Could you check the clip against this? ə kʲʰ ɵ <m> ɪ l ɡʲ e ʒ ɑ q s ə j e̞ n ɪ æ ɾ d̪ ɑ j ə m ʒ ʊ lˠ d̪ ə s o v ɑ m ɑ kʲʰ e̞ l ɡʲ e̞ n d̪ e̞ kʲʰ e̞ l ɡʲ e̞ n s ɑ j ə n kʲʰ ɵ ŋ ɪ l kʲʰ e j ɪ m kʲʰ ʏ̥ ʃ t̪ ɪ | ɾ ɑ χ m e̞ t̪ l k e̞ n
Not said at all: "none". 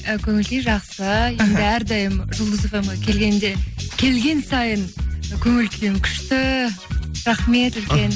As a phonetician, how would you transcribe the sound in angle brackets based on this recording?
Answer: ŋ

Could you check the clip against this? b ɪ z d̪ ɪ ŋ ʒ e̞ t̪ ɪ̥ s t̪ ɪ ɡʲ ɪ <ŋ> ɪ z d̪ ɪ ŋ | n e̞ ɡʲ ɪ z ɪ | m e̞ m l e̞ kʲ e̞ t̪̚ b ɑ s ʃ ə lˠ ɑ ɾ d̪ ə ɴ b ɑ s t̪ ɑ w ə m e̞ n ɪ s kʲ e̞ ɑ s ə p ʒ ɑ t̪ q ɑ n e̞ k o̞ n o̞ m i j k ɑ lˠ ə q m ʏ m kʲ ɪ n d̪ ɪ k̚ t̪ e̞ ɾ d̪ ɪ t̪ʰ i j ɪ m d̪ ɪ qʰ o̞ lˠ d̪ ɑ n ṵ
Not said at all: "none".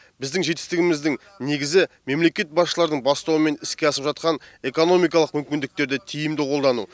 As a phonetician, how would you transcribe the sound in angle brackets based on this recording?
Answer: m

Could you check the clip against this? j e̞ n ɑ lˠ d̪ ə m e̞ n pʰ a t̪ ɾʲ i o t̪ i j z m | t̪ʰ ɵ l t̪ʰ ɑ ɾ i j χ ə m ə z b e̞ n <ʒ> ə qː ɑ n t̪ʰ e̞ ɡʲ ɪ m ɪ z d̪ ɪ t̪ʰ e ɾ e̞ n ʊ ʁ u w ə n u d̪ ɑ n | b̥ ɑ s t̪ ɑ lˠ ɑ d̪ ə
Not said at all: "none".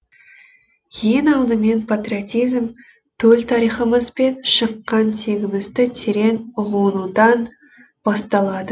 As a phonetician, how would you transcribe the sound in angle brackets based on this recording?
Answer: ʃ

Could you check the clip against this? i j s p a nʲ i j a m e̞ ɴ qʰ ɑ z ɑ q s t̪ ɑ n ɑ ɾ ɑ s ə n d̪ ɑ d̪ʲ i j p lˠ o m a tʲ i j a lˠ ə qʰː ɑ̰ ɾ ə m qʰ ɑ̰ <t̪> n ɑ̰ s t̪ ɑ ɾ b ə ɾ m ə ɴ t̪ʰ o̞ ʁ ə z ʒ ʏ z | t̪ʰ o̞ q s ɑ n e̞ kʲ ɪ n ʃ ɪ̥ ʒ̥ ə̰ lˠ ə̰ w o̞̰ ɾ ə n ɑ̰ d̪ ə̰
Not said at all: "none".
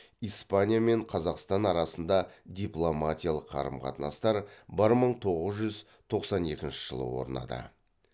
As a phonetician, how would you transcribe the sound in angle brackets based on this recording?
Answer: t̪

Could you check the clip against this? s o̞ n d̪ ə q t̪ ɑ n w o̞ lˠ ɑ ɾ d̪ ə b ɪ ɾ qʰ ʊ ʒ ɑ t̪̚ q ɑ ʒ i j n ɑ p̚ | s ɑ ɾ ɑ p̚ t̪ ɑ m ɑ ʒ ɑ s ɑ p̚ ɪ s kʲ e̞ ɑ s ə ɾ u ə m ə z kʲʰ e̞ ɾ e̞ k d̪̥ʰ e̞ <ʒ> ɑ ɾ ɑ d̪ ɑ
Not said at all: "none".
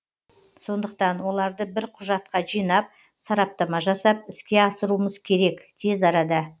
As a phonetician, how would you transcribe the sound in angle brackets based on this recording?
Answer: z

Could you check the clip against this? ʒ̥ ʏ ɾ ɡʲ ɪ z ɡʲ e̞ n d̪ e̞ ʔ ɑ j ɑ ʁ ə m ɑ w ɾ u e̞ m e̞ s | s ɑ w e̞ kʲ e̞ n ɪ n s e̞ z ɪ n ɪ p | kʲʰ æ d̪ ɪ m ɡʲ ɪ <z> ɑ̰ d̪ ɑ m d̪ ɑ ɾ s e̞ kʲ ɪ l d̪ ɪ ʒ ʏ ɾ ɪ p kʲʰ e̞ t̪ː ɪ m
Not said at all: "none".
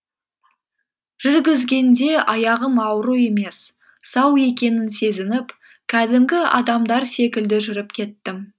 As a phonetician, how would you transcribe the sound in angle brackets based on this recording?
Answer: none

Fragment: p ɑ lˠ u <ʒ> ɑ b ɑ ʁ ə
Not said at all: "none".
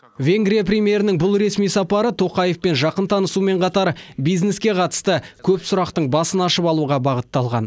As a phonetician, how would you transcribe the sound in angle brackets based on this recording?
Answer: ʁ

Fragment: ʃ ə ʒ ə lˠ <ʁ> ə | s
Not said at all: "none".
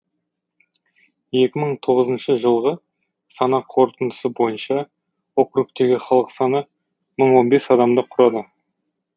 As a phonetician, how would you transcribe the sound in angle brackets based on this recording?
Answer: ʁ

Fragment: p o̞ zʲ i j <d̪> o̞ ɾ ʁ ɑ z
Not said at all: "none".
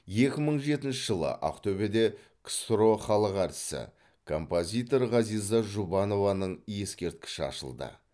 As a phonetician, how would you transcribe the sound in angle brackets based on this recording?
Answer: t̪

